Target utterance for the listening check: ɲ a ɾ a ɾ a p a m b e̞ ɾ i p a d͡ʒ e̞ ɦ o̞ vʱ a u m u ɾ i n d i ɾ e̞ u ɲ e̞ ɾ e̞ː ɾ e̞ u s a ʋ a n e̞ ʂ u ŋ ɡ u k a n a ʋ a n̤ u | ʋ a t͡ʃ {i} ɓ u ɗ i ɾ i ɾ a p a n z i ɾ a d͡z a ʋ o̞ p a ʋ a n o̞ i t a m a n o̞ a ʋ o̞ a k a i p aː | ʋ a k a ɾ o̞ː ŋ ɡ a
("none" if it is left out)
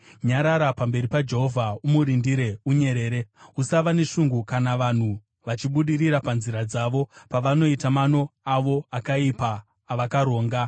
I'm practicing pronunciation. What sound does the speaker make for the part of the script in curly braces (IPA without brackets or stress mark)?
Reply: i